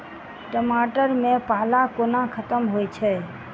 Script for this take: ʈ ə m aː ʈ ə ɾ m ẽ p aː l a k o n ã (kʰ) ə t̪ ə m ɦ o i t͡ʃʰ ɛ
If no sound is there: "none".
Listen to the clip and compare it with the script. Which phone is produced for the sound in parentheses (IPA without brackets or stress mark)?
kʰ